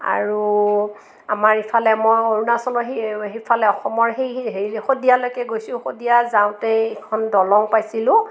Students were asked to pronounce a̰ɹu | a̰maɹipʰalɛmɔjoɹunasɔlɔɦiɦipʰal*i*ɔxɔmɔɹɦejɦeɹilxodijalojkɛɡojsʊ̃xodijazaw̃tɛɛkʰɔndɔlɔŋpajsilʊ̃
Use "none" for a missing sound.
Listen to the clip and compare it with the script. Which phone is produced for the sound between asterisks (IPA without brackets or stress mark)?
ɛ